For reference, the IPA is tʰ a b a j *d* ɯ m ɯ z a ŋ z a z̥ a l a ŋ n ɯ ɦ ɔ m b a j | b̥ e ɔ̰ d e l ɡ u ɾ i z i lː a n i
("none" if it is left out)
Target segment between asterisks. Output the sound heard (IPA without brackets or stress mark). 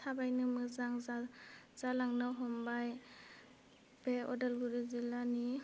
n